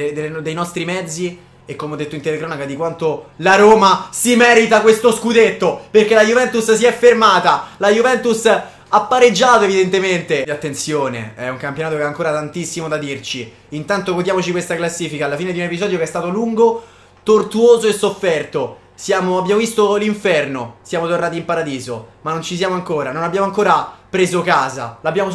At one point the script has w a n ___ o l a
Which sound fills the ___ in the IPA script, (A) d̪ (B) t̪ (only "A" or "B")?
B